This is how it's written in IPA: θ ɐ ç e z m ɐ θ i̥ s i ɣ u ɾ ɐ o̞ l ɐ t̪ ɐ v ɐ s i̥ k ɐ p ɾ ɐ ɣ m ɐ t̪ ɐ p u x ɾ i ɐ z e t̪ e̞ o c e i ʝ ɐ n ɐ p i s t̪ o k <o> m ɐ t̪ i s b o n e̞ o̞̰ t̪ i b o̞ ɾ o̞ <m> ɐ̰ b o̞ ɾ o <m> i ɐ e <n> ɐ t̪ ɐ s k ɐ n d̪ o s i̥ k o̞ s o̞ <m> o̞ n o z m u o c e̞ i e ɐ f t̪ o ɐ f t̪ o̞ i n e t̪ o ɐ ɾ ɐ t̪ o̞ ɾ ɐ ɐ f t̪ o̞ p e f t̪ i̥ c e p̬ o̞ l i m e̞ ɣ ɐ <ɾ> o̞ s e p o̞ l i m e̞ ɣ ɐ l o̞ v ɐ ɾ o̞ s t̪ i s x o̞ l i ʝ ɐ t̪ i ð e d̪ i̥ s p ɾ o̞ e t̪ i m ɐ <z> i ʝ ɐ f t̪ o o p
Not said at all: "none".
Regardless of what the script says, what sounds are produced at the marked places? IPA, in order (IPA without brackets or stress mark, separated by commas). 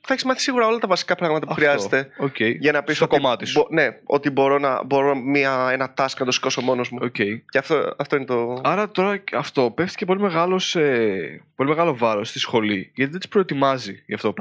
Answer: o, n, m, n, m, l, z